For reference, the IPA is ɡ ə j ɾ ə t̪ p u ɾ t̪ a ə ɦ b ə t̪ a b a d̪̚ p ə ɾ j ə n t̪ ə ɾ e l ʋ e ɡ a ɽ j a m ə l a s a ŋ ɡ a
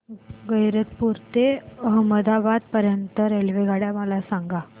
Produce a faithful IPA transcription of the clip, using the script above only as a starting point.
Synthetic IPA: ɡ ə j ɾ ə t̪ p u ɾ t̪ e ə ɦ m ə d̪ a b a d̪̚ p ə ɾ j ə n t̪ ə ɾ e l ʋ e ɡ a ɽ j a m ə l a s a ŋ ɡ a